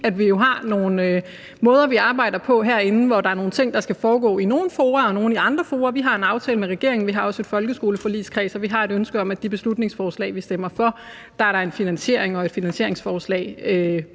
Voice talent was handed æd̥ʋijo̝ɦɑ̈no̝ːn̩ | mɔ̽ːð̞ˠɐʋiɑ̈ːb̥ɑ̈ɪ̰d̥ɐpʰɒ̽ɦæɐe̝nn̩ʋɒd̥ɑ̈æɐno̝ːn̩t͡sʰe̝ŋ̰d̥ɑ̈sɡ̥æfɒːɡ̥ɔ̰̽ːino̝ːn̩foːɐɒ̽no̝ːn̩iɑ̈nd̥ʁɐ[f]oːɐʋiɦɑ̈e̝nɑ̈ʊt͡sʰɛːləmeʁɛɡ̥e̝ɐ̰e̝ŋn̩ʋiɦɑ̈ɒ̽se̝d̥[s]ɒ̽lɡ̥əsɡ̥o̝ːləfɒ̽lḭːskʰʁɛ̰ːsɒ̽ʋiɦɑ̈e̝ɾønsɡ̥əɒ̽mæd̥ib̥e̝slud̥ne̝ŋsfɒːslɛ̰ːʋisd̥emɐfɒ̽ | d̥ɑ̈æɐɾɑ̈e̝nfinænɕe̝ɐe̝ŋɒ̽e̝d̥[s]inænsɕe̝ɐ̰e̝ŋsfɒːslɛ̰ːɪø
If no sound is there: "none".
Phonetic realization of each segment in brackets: f, f, f

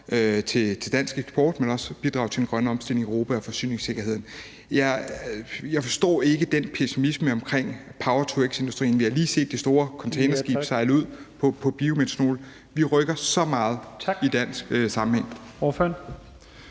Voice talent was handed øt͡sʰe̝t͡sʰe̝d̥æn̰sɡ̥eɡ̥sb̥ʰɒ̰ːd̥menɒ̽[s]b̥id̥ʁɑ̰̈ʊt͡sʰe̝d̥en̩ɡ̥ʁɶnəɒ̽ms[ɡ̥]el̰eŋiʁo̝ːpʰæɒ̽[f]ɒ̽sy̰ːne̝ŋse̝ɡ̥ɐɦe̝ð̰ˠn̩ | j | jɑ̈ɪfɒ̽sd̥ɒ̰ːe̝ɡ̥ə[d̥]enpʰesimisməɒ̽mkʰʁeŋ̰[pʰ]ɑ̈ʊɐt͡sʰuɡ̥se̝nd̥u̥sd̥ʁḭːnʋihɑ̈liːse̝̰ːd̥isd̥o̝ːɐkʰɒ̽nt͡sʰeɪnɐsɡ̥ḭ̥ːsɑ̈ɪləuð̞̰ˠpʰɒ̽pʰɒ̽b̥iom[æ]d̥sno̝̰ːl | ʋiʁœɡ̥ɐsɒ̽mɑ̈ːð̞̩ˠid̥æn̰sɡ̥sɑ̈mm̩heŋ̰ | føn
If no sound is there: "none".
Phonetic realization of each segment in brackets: s, d̥, f, d̥, pʰ, e

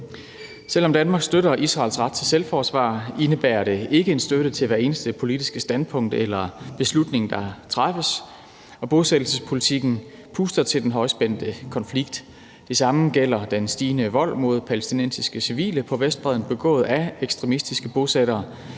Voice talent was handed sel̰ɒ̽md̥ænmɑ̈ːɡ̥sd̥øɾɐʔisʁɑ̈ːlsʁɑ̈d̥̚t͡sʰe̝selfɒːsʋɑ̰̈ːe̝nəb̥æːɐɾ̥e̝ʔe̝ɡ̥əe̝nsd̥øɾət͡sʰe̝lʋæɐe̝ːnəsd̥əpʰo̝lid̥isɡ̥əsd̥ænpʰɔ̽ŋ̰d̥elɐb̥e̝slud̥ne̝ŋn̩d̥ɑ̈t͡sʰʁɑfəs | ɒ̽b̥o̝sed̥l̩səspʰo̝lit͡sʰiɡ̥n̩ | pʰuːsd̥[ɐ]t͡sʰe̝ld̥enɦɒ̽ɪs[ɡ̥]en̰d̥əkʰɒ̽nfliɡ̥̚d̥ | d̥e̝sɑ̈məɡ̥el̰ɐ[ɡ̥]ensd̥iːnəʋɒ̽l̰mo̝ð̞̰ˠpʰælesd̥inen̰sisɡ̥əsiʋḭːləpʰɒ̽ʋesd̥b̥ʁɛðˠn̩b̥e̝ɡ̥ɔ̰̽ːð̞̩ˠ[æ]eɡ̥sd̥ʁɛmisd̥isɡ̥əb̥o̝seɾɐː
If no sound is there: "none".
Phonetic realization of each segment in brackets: ɐ, b̥, d̥, æ

